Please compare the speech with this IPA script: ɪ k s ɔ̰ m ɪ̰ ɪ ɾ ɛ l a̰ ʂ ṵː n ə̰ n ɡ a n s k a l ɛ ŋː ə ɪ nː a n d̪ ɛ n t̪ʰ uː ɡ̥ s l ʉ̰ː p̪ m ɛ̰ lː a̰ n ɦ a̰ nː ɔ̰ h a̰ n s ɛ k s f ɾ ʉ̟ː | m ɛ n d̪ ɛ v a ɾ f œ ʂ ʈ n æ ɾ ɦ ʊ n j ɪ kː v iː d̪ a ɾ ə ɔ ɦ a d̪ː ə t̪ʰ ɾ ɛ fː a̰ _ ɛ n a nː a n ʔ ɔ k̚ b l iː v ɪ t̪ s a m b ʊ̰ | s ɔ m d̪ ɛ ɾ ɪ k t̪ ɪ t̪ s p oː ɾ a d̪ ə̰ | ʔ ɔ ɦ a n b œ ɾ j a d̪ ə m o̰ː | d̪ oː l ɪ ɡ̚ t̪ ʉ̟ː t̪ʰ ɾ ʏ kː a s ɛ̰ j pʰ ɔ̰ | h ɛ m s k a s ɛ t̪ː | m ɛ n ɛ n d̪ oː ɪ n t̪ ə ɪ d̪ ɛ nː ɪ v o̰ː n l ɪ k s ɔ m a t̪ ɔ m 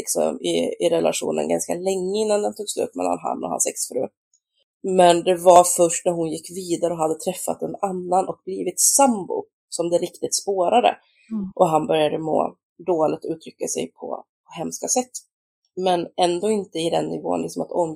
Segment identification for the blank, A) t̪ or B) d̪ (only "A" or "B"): A